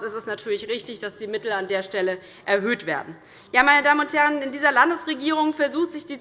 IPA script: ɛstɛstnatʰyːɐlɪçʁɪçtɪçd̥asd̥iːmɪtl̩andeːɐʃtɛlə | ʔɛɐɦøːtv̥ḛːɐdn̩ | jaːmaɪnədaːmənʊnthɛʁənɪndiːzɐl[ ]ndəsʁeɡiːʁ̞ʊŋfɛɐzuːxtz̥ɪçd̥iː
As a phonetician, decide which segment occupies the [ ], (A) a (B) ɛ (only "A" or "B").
A